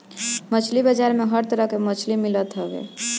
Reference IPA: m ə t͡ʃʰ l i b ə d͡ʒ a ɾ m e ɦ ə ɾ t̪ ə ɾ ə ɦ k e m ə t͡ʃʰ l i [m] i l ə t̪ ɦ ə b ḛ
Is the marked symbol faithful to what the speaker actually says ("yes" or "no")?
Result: yes